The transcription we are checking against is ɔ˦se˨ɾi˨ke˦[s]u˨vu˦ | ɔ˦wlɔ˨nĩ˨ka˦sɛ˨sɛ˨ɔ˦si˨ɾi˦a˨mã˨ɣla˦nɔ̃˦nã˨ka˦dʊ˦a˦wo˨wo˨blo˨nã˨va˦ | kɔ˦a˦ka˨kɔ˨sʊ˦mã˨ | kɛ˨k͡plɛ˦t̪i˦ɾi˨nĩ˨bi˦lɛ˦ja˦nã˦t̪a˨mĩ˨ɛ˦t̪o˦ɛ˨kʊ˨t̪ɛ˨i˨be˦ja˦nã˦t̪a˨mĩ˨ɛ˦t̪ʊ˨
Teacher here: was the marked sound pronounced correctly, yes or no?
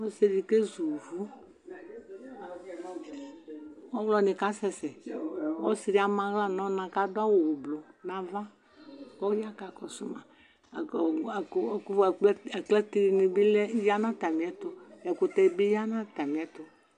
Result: no